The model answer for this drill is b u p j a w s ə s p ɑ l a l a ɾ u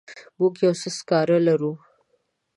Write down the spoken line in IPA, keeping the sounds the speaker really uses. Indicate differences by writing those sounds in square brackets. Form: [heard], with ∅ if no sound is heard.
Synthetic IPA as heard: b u [k] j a w s ə s [k] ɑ [ɾ] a l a ɾ u